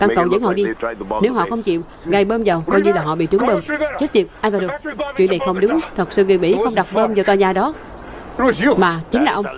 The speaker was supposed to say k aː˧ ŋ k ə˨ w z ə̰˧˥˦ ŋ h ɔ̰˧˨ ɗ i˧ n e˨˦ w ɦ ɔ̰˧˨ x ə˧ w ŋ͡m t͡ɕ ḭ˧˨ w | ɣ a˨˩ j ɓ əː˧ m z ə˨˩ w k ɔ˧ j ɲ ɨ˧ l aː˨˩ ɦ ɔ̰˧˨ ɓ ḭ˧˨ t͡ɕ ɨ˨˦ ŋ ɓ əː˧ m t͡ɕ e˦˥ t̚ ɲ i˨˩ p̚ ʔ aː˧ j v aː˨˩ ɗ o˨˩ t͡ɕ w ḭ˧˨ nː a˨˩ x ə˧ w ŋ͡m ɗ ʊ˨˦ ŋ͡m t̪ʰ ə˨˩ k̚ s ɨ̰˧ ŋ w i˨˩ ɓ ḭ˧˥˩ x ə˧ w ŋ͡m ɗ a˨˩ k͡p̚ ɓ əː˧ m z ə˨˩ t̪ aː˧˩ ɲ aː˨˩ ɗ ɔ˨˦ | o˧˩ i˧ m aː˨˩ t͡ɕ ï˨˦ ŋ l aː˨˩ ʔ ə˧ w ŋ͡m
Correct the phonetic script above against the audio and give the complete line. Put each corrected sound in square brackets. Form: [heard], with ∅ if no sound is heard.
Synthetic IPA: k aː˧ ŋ k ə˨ w z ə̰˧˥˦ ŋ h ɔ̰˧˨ ɗ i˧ n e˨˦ w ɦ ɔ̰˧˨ x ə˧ w ŋ͡m t͡ɕ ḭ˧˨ w | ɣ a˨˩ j ɓ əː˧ m z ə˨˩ w k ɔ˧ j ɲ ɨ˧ l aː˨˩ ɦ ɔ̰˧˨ ɓ ḭ˧˨ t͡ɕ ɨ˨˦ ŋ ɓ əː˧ m t͡ɕ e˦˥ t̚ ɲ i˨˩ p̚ ʔ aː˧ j v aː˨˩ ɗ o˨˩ t͡ɕ w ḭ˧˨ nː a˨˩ x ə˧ w ŋ͡m ɗ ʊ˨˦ ŋ͡m t̪ʰ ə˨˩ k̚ s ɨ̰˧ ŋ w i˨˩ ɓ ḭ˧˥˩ x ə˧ w ŋ͡m ɗ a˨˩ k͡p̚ ɓ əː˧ m z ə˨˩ t̪ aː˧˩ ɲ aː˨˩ ɗ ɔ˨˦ | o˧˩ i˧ m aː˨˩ t͡ɕ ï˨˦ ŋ l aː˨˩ ʔ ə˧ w ŋ͡m